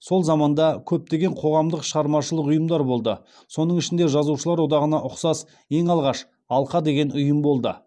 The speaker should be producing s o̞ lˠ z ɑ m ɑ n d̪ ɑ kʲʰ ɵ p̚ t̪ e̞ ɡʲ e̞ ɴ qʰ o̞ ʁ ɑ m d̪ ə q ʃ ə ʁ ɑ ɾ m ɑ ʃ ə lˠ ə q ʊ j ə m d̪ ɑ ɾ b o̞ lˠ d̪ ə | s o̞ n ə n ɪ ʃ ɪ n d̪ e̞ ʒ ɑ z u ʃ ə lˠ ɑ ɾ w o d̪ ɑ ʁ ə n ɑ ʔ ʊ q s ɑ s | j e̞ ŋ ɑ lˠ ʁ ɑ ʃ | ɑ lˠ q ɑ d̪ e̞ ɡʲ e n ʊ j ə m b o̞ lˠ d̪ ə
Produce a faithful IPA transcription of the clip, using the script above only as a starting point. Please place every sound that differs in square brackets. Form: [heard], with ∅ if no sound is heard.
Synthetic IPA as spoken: s o̞ lˠ z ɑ m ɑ n d̪ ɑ kʲʰ ɵ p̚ t̪ e̞ ɡʲ e̞ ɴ qʰ o̞ ʁ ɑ m d̪ ə q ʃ ə ʁ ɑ ɾ m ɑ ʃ ə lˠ ə q ʊ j ə m d̪ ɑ ɾ b o̞ lˠ d̪ ə | s o̞ n ə [ɴ] ɪ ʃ ɪ n d̪ e̞ ʒ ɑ z u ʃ ə lˠ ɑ ɾ w o d̪ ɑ ʁ ə n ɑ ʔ ʊ q s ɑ s | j e̞ ŋ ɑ lˠ ʁ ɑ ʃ | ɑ lˠ q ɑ d̪ e̞ ɡʲ e n ʊ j ə m b o̞ lˠ d̪ ə